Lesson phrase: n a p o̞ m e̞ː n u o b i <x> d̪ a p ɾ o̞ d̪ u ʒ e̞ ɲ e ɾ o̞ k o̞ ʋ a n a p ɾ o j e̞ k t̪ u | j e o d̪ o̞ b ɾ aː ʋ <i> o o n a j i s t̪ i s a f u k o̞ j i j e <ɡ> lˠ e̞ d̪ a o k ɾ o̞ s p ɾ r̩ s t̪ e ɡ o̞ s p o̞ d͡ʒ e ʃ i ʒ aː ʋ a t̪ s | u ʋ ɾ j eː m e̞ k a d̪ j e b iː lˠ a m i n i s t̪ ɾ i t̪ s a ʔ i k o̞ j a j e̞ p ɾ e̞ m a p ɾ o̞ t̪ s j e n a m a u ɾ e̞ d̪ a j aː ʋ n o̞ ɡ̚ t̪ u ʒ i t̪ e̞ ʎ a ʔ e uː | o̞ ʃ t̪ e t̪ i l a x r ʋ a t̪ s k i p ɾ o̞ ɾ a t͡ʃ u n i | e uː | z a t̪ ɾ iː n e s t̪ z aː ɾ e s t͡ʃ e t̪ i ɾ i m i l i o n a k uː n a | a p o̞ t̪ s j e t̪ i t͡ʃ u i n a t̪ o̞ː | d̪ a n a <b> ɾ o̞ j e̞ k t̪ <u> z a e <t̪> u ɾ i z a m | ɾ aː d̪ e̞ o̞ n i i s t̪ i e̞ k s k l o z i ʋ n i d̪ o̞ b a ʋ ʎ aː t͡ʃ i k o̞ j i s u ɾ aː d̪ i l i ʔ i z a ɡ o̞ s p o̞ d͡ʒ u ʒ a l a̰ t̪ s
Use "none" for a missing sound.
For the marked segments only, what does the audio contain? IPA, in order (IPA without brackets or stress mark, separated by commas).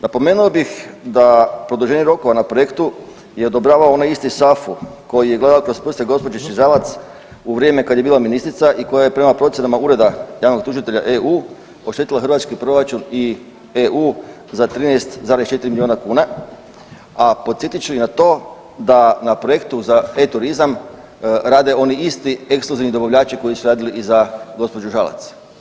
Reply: x, a, ɡ, p, u, t̪